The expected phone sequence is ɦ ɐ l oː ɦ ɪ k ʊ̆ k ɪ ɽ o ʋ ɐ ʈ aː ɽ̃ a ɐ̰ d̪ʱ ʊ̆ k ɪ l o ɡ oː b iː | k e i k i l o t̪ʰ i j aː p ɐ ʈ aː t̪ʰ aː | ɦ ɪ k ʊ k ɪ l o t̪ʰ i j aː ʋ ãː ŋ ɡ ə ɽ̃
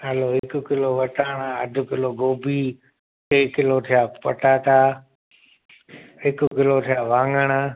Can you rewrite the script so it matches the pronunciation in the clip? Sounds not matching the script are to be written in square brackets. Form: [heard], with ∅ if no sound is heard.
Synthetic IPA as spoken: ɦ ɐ l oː ɦ ɪ k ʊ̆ k ɪ [l] o ʋ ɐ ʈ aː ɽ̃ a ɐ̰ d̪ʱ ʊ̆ k ɪ l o ɡ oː b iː | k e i k [ɪ] l o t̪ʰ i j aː p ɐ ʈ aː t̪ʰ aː | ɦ ɪ k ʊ k ɪ l o t̪ʰ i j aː ʋ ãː ŋ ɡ ə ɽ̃